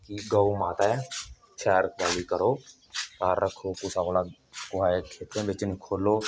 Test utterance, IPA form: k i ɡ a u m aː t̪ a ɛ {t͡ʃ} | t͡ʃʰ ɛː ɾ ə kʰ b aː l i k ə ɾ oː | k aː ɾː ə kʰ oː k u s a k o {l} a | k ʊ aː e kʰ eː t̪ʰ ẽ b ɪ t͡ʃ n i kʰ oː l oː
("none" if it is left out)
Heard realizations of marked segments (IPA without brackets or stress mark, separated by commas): none, l